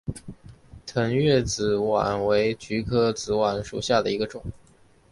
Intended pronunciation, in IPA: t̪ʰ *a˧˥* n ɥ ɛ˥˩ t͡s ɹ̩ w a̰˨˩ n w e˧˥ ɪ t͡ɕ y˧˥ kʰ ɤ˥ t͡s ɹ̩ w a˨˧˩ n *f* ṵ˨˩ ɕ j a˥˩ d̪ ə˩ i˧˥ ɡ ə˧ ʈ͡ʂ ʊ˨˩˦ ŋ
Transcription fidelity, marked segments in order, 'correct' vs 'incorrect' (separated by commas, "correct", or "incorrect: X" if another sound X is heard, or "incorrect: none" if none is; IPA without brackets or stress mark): incorrect: ə˧˥, incorrect: ʂ